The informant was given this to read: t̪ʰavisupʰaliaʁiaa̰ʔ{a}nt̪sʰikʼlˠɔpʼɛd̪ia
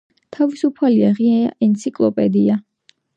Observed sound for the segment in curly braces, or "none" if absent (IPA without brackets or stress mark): ɛ